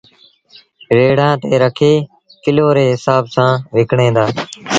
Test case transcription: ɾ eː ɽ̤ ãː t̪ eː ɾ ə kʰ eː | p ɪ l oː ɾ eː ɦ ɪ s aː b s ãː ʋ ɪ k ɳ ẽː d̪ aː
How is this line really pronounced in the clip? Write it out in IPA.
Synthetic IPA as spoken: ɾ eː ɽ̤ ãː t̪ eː ɾ ə kʰ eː | k ɪ l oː ɾ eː ɦ ɪ s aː b s ãː ʋ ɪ k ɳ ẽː d̪ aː

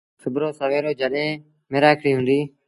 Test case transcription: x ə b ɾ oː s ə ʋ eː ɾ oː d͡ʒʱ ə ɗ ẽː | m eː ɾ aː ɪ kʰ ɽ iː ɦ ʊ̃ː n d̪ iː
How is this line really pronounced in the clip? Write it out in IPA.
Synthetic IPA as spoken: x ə b ɾ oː s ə ʋ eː ɾ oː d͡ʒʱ ə ɗ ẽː | m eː ɾ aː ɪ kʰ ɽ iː ɦ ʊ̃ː n d̪ iː

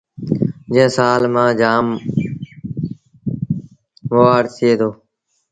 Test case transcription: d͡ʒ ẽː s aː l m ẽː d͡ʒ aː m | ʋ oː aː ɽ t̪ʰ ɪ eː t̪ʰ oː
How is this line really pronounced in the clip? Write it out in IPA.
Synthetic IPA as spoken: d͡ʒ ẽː s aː l m ãː d͡ʒ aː m | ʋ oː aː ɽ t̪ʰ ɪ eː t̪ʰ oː

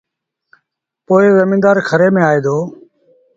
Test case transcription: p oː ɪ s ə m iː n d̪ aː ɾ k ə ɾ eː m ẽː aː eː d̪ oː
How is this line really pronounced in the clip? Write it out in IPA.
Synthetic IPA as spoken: p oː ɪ z ə m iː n d̪ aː ɾ kʰ ə ɾ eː m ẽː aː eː d̪ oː

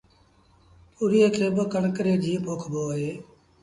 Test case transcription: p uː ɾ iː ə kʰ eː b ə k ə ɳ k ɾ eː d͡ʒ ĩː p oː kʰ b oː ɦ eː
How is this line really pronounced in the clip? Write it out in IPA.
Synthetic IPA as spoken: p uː ɾ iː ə kʰ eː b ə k ə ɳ k ɾ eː d͡ʒ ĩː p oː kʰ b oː ɦ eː

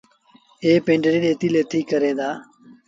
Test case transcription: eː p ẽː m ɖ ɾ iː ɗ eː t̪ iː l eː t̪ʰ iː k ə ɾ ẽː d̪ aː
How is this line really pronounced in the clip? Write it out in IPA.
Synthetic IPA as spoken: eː p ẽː ɳ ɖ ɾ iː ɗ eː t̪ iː l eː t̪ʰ iː k ə ɾ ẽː d̪ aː

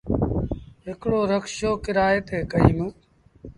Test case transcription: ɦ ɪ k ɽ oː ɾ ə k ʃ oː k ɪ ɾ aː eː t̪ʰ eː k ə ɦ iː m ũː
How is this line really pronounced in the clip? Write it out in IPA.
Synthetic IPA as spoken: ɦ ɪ k ɽ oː ɾ ə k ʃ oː k ɪ ɾ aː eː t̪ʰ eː k ə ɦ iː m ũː

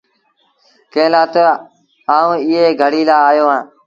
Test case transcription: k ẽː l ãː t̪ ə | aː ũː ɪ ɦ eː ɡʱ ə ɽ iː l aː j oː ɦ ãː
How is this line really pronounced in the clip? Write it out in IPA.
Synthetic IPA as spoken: k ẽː l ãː t̪ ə | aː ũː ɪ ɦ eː ɡʱ ə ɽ iː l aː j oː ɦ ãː

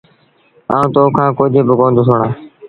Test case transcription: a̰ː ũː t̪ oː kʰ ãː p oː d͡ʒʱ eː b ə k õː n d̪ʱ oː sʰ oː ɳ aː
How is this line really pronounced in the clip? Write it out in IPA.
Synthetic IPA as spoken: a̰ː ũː t̪ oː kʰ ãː k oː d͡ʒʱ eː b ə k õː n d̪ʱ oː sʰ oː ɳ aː

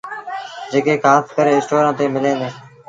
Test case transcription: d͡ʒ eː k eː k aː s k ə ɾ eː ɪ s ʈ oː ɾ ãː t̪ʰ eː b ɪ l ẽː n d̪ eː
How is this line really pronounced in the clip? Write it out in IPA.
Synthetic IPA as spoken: d͡ʒ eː k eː k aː s k ə ɾ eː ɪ s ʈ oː ɾ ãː t̪ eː m ɪ l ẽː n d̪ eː

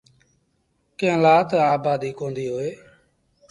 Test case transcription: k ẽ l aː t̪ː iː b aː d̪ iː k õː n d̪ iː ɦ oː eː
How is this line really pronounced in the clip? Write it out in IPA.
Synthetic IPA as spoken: k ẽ l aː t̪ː aː b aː d̪ iː k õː n d̪ iː ɦ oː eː

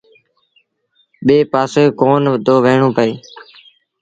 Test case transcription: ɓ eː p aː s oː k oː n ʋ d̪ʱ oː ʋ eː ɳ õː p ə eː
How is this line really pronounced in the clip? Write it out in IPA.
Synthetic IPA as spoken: ɓ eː p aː s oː k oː n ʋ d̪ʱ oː ʋ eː ɳ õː p ə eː

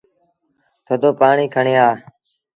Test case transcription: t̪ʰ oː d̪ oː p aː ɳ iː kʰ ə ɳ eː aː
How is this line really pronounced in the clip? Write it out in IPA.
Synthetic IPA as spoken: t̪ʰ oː d̪ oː p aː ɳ iː kʰ ə ɳ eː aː

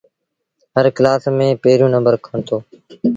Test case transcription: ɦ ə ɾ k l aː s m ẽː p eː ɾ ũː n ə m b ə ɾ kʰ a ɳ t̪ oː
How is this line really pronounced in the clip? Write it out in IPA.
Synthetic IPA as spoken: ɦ ə ɾ k l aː s m ẽː p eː ɾ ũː n ə m b ə ɾ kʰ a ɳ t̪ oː

